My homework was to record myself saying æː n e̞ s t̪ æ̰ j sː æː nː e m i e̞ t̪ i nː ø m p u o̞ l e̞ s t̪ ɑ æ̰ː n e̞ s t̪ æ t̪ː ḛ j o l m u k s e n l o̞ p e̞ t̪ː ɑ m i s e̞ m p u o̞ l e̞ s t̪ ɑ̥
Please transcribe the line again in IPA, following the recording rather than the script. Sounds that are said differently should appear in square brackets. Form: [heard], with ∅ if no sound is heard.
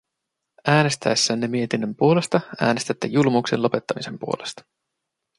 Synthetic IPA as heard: æː n e̞ s t̪ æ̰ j sː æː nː e m i e̞ t̪ i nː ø m p u o̞ l e̞ s t̪ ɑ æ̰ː n e̞ s t̪ æ t̪ː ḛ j [u] l m u k s e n l o̞ p e̞ t̪ː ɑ m i s e̞ m p u o̞ l e̞ s t̪ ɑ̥